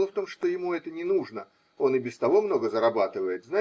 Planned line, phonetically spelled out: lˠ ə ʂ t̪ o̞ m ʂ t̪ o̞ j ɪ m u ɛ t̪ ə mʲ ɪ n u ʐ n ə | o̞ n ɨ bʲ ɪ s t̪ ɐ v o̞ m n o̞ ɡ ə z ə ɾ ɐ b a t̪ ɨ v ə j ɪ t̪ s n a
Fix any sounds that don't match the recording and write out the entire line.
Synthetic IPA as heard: lˠ ə f t̪ o̞ m ʂ t̪ o̞ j ɪ m u ɛ t̪ ə nʲ ɪ n u ʐ n ə | o̞ n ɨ bʲ ɪ s t̪ ɐ v o̞ m n o̞ ɡ ə z ə ɾ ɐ b a t̪ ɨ v ə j ɪ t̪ z n a